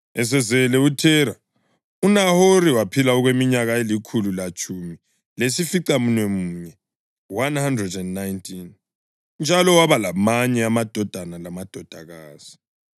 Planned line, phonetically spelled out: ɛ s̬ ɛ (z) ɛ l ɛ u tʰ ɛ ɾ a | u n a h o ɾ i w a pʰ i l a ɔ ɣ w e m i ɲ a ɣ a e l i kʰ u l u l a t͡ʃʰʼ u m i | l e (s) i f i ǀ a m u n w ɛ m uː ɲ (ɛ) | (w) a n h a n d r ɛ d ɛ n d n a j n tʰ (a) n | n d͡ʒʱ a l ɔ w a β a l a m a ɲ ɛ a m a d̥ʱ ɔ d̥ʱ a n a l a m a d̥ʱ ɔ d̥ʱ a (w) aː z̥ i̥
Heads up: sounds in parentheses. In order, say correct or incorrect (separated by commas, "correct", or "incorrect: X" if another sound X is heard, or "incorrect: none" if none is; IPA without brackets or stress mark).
correct, correct, correct, correct, incorrect: i, incorrect: ɣ